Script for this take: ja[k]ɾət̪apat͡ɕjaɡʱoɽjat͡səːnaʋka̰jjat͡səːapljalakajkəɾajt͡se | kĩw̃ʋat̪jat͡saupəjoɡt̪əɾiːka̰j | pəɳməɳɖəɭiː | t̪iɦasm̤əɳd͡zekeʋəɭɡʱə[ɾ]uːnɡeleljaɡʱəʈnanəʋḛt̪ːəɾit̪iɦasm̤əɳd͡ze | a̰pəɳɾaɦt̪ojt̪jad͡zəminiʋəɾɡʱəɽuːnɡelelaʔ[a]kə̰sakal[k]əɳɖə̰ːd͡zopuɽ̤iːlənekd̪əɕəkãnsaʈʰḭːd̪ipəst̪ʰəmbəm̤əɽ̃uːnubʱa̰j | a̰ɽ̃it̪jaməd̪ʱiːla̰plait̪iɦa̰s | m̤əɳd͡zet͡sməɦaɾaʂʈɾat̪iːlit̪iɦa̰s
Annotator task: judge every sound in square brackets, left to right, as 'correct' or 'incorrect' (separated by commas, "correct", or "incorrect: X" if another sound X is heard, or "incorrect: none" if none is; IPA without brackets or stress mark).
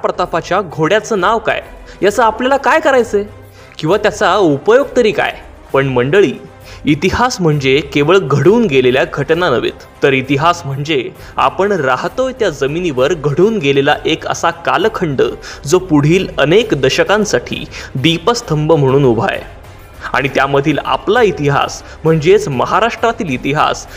incorrect: p, incorrect: ɽ, incorrect: e, incorrect: kʰ